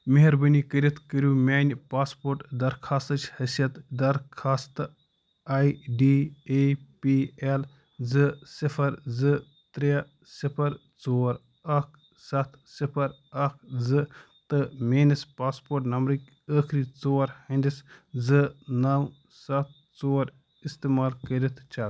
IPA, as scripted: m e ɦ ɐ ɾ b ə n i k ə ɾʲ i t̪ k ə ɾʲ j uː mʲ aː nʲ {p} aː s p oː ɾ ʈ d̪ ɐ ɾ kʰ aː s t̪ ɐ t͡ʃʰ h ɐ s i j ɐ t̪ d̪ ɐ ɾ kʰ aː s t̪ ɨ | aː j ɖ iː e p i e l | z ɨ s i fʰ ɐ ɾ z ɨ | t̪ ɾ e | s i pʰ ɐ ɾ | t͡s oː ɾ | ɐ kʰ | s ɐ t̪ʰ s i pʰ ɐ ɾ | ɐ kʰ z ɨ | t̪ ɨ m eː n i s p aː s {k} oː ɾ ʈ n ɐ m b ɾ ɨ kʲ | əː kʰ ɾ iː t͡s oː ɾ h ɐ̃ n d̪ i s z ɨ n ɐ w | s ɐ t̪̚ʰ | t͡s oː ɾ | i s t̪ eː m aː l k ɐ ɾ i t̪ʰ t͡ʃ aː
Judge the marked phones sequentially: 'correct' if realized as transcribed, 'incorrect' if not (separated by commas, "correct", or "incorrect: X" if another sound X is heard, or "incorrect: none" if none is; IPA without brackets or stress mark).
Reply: correct, incorrect: p